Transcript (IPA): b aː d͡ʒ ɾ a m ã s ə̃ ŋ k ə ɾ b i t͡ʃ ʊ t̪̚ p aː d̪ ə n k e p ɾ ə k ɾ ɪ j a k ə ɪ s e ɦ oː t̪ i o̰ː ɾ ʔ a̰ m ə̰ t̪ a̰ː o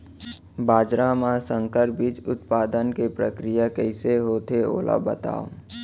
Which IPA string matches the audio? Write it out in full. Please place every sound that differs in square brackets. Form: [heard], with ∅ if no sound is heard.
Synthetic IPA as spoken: b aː d͡ʒ ɾ a m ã s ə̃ ŋ k ə ɾ b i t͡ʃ ʊ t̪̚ p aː d̪ ə n k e p ɾ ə k ɾ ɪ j a k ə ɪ s e ɦ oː t̪ [e] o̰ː [l] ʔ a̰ [b] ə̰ t̪ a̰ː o